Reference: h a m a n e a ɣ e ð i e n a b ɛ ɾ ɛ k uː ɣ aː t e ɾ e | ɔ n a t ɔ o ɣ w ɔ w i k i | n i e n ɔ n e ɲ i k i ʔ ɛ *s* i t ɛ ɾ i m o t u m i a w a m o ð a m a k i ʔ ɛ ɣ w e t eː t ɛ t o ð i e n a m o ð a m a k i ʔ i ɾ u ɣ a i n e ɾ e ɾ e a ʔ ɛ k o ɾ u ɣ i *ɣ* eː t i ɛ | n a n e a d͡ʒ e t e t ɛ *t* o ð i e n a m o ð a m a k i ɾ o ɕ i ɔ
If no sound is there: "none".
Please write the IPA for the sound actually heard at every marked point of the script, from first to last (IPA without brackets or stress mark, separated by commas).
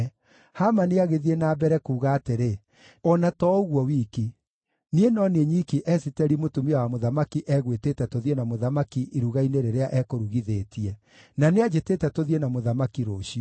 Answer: s, ð, t